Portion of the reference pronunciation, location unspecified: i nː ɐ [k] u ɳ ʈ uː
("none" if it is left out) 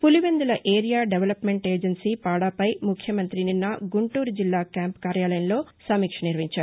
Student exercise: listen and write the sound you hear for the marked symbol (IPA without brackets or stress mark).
ɡ